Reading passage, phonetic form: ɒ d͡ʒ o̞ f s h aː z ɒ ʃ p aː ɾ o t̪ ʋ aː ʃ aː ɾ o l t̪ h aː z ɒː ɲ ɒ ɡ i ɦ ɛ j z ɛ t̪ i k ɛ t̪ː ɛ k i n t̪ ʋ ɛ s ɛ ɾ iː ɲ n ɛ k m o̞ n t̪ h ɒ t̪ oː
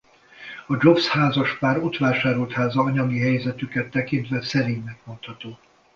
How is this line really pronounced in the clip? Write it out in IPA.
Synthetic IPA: ɒ d͡ʒ o̞ f s h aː z ɒ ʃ p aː ɾ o t̪ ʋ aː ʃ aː ɾ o l t̪ h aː z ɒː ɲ ɒ ɡ i ɦ ɛ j z ɛ t̪ y k ɛ t̪ː ɛ k i n t̪ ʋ ɛ s ɛ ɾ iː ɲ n ɛ k m o̞ n t̪ h ɒ t̪ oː